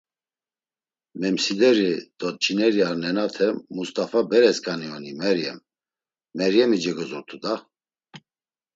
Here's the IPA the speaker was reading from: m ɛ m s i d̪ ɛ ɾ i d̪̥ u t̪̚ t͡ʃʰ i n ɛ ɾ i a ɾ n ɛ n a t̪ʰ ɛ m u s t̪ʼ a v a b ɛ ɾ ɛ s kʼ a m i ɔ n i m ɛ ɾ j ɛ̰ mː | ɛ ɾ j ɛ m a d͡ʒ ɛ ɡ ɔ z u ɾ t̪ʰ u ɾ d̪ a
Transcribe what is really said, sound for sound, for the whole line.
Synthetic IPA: m ɛ m s i d̪ ɛ ɾ i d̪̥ ɔ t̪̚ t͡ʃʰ i n ɛ ɾ i a ɾ n ɛ n a t̪ʰ ɛ m u s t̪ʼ a f a b ɛ ɾ ɛ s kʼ a n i ɔ n i m ɛ ɾ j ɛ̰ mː | ɛ ɾ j ɛ m i d͡ʒ ɛ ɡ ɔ z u ɾ t̪ʰ u d̪ a